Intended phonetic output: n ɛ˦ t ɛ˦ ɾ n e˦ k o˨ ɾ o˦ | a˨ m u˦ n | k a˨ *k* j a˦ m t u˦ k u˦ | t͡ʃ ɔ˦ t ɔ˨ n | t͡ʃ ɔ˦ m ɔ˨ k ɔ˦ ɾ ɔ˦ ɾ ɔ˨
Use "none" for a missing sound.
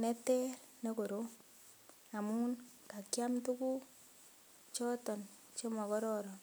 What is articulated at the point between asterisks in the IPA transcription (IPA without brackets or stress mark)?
k